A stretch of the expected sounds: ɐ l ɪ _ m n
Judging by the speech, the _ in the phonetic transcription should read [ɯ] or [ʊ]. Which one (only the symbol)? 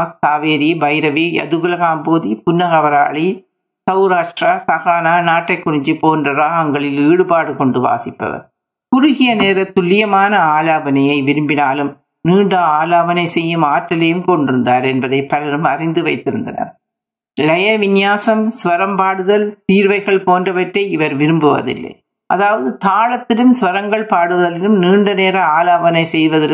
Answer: ɯ